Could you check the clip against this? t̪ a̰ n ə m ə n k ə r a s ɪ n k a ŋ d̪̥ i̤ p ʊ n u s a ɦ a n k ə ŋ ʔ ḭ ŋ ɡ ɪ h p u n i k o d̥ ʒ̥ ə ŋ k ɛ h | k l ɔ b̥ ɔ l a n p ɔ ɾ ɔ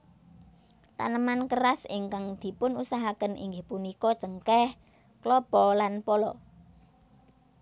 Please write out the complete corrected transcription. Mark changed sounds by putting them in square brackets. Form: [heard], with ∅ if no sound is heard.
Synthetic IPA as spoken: t̪ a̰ n ə m [a] n k ə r a s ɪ [ŋ] k a ŋ d̪̥ i̤ p ʊ n u s a ɦ a [∅] k ə [n] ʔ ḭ ŋ ɡ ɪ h p u n i k [ɔ] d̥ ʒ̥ ə ŋ k ɛ h | k l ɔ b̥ ɔ l a n p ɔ [l] ɔ

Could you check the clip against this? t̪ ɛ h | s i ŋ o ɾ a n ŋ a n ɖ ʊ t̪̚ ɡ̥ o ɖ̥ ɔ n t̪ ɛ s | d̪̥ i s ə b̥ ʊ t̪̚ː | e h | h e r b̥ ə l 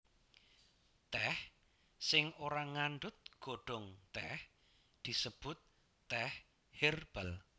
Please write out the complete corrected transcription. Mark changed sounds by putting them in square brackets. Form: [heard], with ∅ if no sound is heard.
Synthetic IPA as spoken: t̪ ɛ h | s [ɪ] ŋ o ɾ a [∅] ŋ a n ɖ ʊ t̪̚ ɡ̥ o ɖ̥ ɔ [ŋ] t̪ ɛ [h] | d̪̥ i s ə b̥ ʊ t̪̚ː | [ɛ] h | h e r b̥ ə l

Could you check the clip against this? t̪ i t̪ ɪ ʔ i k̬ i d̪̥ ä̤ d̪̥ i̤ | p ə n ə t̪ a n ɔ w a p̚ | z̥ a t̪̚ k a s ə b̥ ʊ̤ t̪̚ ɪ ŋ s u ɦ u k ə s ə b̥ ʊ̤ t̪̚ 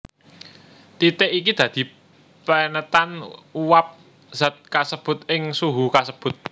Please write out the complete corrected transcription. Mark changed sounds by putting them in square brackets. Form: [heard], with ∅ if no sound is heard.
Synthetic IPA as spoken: t̪ i t̪ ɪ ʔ i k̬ i d̪̥ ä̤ d̪̥ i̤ | p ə n ə t̪ a n [u] w a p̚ | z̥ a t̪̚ k a s ə b̥ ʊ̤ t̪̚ ɪ ŋ s u ɦ u k [a] s ə b̥ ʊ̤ t̪̚

